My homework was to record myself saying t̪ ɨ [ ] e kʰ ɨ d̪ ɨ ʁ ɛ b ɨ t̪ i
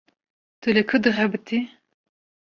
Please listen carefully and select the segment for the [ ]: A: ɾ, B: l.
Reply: B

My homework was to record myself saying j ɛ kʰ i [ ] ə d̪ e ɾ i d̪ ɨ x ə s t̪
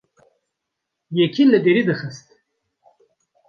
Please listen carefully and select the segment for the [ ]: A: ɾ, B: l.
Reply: B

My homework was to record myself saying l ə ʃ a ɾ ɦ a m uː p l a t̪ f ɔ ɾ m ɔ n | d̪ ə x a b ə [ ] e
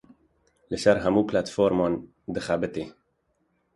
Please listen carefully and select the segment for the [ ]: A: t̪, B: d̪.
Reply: A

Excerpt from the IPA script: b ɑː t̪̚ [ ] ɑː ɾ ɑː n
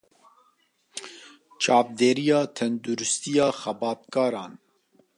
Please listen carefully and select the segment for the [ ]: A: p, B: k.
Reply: B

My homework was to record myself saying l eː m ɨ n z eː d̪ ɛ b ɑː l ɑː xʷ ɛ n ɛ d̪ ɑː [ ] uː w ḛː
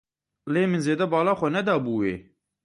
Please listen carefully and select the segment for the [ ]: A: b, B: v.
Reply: A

